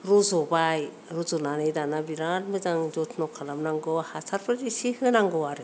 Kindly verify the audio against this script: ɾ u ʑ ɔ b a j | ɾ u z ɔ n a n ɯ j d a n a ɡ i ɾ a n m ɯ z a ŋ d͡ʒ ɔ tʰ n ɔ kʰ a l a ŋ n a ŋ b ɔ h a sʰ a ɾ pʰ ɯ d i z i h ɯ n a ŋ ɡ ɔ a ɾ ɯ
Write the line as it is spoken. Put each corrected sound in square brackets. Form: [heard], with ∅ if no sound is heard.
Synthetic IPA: ɾ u [z] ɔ b a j | ɾ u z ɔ n a n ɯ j d a n a [b] i ɾ a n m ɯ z a ŋ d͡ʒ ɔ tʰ n ɔ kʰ a l a [m] n a ŋ [ɡ] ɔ h a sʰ a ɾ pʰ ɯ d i [s] i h ɯ n a ŋ ɡ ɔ a ɾ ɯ